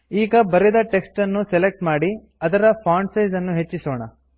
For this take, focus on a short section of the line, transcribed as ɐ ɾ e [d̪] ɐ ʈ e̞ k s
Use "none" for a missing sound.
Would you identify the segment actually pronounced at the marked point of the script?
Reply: d̪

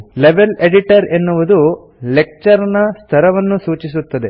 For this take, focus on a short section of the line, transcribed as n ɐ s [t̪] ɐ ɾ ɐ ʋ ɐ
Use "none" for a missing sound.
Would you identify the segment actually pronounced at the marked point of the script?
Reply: t̪ʰ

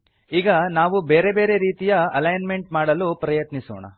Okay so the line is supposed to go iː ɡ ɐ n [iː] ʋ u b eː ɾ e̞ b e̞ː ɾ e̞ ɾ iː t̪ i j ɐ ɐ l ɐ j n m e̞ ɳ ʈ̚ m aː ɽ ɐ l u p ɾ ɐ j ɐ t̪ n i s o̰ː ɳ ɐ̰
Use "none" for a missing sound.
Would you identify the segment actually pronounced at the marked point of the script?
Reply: aː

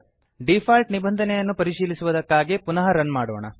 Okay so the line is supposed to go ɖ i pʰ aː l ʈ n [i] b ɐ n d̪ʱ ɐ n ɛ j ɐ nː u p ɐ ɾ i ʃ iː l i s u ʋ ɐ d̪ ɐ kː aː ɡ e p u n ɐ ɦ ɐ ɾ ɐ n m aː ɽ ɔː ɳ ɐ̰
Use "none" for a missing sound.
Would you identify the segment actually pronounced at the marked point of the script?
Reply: i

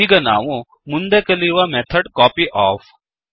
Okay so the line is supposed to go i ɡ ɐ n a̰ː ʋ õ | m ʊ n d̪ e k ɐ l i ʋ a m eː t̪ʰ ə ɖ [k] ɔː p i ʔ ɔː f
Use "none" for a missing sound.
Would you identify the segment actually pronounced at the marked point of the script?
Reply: k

